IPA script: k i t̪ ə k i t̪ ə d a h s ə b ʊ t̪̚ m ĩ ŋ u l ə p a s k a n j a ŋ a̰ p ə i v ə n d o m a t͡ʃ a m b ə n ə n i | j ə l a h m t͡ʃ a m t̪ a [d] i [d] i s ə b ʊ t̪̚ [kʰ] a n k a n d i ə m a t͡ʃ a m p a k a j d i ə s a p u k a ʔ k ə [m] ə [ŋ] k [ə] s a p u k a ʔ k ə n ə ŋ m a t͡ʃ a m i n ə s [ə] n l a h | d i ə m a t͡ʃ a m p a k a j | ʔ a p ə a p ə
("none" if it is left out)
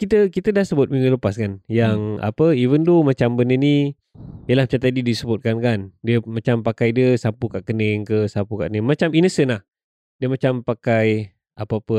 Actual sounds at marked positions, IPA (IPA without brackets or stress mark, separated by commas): d, d, k, n, ŋ, ə, ə